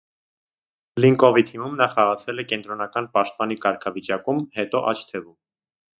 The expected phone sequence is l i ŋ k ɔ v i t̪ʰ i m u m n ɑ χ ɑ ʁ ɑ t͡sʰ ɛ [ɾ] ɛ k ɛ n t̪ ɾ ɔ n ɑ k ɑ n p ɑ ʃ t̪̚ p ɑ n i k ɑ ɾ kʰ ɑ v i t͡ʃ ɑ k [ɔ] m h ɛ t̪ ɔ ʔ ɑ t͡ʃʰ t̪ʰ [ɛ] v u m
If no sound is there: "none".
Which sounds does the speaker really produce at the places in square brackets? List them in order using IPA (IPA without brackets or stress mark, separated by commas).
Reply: l, u, ɛ